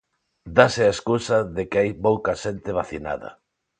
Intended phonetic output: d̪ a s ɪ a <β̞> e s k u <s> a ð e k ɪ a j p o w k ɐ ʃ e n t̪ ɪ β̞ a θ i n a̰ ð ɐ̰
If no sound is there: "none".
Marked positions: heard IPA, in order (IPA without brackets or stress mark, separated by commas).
none, s